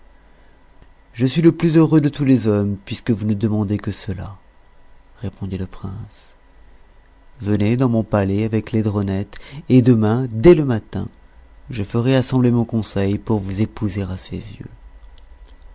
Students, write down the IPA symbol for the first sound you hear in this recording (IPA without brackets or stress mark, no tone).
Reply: ʒ